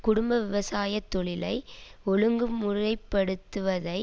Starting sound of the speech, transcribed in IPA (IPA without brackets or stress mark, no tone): k